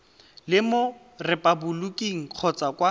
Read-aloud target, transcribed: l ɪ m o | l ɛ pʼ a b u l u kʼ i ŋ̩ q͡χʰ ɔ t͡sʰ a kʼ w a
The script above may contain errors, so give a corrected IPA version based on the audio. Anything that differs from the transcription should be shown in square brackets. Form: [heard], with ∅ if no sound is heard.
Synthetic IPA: l ɪ m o | [r] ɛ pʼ a b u l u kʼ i ŋ̩ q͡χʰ ɔ [t͡s] a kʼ w a